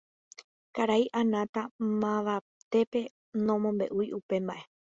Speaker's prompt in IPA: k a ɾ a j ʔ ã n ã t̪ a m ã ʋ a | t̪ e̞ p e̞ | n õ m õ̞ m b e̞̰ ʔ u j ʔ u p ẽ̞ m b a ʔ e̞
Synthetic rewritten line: k a ɾ a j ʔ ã n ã t̪ a m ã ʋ a | t̪ e̞ p e̞ | n õ m õ̞ m b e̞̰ ʔ u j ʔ u p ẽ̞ m b a ʔ e̞